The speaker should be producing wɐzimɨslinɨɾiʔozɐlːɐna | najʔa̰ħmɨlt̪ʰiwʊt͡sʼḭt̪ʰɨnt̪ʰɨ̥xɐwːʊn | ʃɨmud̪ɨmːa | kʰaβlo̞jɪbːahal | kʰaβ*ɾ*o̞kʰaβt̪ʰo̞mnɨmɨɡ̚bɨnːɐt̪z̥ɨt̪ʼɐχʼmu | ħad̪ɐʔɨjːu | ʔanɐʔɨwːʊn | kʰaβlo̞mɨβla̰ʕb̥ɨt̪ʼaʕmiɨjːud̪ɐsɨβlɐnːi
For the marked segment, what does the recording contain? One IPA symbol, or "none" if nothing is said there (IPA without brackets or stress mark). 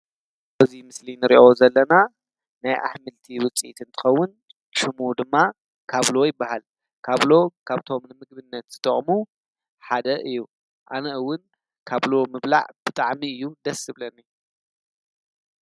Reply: l